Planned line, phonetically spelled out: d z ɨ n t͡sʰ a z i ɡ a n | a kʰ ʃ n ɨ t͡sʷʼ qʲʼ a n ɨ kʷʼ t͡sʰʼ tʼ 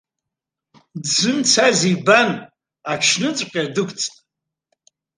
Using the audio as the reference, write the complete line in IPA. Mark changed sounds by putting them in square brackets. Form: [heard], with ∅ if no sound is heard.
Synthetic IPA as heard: d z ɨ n t͡sʰ a z i [b] a n | a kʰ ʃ n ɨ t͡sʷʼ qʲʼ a [d] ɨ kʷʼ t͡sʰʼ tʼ